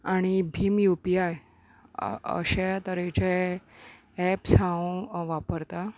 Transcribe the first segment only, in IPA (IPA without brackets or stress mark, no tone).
a